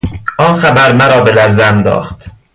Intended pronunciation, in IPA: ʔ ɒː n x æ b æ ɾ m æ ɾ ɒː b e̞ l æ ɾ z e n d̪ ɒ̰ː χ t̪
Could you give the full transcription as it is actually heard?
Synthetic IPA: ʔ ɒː n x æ b æ ɾ m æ ɾ ɒː b e̞ l æ ɾ z æ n d̪ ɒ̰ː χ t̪